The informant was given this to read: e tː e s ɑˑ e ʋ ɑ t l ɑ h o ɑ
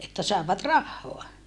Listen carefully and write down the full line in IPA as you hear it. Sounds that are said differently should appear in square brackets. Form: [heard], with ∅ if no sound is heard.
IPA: e tː [æ] s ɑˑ e ʋ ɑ t [r] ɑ [hː] o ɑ